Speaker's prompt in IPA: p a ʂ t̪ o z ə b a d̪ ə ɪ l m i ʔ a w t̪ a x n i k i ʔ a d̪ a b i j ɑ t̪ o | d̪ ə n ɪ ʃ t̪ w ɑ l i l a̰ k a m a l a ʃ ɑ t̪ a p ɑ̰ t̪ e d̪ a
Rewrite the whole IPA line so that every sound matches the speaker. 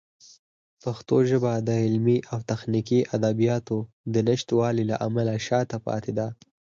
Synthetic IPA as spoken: p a x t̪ o ʒ ə b a d̪ ə ɪ l m i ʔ a w t̪ a x n i k i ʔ a d̪ a b i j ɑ t̪ o | d̪ ə n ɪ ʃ t̪ w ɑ l i l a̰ ʔ a m a l a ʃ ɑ t̪ a p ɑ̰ t̪ e d̪ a